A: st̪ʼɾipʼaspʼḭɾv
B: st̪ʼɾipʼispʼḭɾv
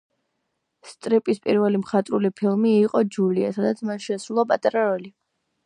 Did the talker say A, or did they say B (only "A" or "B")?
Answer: B